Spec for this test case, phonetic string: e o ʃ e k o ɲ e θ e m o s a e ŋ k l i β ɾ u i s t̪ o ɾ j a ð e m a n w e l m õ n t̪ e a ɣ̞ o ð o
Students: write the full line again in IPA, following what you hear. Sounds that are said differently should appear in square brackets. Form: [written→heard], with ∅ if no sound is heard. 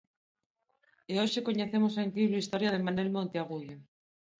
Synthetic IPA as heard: e o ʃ e k o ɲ e θ e m o s a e ŋ k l i β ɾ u i s t̪ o ɾ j a ð e m a n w e l m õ n t̪ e a ɣ̞ [o→u] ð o